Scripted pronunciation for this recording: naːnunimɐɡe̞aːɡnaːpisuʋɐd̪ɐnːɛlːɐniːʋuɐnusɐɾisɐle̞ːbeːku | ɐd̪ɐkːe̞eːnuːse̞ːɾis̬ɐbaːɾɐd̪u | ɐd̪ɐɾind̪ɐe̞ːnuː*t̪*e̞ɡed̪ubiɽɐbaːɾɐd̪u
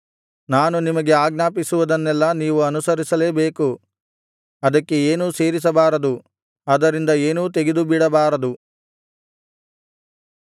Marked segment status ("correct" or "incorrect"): correct